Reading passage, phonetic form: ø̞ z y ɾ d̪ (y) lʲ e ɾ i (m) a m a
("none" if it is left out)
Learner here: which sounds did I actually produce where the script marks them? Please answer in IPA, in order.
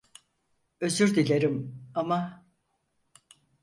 i, m

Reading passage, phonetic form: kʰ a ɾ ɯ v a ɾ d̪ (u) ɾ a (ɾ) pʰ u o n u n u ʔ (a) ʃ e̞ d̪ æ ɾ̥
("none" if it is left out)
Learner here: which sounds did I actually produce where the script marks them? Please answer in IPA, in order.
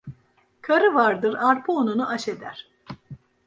ɯ, ɾ, a

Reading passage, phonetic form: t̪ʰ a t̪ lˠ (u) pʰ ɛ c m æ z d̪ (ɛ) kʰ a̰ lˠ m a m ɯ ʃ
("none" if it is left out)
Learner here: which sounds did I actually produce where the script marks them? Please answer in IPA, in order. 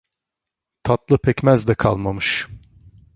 ɯ, ɛ

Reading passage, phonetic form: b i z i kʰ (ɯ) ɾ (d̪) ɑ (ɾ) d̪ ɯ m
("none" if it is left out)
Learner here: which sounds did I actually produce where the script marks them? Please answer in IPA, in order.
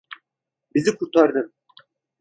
u, t̪, ɾ

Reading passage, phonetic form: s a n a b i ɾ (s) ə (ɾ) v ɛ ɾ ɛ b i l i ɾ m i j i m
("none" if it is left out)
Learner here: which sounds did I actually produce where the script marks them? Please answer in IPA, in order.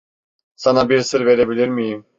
s, ɾ

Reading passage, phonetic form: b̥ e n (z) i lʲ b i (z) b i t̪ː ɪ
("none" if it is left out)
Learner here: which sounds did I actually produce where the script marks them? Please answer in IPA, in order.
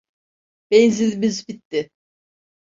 z, z

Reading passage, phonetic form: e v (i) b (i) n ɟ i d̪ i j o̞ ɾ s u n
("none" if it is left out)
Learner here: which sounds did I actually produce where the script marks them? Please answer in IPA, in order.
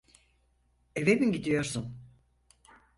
e, i

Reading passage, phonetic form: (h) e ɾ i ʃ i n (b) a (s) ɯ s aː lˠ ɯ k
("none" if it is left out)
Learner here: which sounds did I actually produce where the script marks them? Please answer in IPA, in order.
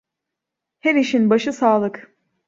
h, b, ʃ

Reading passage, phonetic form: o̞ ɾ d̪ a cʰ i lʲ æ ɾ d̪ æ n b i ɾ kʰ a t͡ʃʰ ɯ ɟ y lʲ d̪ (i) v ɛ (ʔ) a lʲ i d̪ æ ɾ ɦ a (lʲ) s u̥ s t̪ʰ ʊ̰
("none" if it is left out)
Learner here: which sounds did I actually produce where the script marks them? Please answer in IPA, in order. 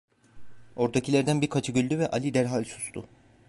y, ʔ, lʲ

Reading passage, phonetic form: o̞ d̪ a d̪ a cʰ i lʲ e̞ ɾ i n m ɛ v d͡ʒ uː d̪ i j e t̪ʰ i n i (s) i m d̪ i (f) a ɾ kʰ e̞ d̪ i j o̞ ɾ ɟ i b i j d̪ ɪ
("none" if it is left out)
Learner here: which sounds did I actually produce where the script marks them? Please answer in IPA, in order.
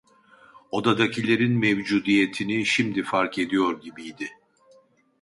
ʃ, f

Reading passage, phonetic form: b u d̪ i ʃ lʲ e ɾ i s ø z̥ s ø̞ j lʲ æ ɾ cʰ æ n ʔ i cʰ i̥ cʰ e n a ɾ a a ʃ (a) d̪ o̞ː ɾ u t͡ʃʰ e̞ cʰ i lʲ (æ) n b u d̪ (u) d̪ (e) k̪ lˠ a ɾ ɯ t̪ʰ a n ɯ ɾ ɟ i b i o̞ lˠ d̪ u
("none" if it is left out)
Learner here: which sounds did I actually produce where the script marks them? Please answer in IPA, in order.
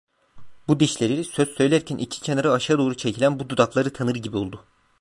a, æ, u, a

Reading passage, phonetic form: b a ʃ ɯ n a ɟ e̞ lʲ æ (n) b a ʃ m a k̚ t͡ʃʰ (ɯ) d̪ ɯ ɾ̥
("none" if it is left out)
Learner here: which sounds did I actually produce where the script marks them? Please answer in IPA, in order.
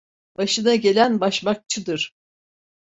n, ɯ

